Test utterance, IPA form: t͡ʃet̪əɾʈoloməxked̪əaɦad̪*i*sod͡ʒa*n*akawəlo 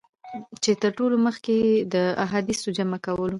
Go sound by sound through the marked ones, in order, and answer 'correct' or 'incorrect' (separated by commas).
correct, incorrect